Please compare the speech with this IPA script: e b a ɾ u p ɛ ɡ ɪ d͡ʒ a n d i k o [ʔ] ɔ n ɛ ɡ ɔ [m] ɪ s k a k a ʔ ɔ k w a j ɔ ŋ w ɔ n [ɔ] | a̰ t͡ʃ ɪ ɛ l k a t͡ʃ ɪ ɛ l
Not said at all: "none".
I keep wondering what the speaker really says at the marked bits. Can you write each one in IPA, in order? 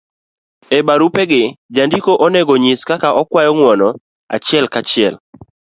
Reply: ʔ, ɲ, ɔ

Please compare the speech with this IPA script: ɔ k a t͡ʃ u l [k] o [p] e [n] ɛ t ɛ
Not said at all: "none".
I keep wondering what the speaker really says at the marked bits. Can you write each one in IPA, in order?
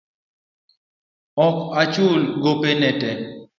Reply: ɡ, p, n

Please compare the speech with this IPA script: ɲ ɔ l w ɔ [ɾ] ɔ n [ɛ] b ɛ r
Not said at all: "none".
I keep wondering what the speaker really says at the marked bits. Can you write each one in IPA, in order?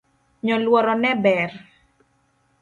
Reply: ɾ, ɛ

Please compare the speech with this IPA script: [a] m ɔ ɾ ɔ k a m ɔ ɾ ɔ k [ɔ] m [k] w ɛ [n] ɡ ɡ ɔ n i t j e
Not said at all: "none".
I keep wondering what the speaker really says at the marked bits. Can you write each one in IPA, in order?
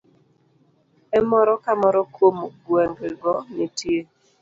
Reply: ɛ, o, ɡ, ŋ

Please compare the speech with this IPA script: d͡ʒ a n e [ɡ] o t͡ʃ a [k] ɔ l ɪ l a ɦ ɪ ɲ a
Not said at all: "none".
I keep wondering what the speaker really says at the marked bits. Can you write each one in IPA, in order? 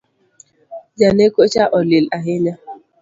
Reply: k, ʔ

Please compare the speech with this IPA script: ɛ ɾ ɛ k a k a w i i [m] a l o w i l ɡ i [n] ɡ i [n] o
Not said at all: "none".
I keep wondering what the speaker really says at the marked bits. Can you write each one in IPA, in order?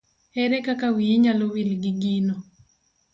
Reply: ɲ, none, n

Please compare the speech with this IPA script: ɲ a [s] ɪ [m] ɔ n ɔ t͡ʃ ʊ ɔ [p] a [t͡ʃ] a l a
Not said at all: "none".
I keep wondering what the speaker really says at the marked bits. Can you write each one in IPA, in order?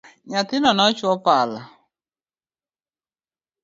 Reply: t, n, p, none

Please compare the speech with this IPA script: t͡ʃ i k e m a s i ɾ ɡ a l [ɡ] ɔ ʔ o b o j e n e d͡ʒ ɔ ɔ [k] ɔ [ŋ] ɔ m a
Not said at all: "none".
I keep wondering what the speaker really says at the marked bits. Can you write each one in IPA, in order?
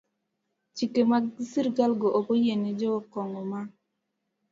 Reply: ɡ, k, ŋ

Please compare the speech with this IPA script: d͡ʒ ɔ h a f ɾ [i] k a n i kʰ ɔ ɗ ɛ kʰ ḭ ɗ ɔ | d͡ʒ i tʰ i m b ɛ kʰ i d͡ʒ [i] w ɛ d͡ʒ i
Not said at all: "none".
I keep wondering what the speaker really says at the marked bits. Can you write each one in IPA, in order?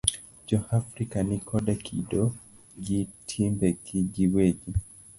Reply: i, i

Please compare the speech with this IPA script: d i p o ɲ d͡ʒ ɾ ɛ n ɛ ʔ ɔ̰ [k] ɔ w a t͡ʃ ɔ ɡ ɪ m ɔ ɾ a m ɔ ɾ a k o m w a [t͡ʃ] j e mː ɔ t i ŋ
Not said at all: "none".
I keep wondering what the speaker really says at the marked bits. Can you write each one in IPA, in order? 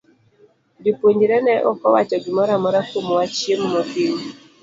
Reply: k, t͡ʃ

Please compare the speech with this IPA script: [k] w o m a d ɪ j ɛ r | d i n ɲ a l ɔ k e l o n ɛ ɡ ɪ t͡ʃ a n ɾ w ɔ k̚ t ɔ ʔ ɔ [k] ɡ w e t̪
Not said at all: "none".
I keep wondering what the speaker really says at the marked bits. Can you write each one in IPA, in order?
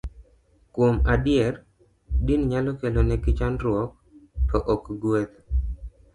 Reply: k, k

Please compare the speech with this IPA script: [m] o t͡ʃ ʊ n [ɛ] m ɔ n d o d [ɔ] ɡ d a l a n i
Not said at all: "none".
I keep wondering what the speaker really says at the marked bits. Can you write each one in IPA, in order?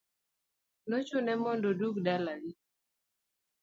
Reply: n, ɛ, u

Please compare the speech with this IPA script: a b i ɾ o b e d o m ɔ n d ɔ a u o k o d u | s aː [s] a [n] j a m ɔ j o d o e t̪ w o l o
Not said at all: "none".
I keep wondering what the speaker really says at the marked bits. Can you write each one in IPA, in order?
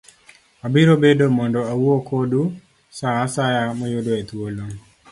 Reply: s, none

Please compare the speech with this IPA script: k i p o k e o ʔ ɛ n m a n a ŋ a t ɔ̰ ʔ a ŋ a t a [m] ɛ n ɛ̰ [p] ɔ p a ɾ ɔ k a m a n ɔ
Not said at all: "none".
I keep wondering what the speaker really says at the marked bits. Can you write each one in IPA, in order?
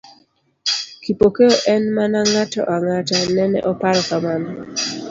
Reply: n, ʔ

